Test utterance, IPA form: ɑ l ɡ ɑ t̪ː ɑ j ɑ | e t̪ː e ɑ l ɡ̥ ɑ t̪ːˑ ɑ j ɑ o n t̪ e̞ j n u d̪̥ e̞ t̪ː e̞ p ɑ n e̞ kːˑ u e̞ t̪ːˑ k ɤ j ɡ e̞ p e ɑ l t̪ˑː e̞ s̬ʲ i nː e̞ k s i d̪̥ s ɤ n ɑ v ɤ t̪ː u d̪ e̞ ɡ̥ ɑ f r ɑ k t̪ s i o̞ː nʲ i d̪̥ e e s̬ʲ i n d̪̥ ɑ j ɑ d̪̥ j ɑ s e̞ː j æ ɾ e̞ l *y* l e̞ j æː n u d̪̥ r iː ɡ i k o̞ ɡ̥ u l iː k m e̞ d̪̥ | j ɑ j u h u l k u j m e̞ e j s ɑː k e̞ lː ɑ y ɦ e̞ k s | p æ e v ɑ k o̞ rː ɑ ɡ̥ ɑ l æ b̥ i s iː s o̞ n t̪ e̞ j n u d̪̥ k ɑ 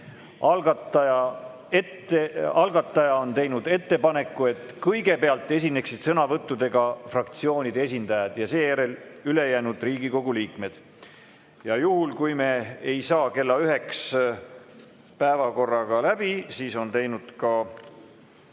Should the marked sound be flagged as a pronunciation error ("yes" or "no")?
no